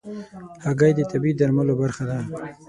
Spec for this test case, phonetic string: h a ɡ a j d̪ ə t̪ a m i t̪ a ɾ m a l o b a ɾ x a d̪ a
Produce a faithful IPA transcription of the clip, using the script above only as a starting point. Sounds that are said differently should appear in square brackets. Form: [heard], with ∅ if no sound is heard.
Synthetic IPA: h a ɡ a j d̪ ə t̪ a [b] i [d̪] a ɾ m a l o b a ɾ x a d̪ a